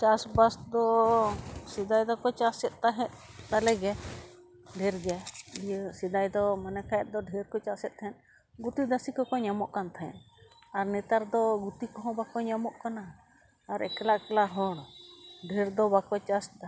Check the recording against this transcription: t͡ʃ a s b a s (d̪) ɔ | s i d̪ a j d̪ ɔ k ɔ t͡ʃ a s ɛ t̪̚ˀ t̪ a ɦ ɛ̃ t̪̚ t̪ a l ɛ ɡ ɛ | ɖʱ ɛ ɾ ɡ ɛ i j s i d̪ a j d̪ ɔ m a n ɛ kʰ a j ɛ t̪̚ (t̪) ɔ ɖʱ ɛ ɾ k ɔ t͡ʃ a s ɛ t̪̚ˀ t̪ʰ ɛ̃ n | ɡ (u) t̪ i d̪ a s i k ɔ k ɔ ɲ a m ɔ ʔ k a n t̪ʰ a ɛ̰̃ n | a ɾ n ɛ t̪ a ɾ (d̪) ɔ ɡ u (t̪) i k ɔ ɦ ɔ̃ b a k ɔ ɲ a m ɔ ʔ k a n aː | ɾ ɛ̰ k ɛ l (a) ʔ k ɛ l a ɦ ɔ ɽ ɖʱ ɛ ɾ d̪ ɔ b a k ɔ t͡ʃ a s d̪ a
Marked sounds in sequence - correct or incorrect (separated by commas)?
correct, incorrect, correct, correct, correct, correct